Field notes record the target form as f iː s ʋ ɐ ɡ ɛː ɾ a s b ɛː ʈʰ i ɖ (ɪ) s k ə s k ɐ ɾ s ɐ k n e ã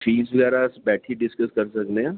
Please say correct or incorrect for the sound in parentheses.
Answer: correct